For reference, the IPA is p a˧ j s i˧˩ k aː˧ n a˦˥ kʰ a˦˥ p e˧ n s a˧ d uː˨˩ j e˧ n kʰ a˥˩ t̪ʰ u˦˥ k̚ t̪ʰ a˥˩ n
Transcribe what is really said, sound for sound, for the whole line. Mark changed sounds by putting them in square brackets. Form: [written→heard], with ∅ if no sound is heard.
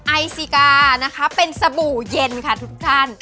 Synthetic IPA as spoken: [p→ʔ] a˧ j s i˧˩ k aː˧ n a˦˥ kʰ a˦˥ p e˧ n s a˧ [d→b] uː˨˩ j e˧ n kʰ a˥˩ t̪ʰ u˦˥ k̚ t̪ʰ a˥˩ n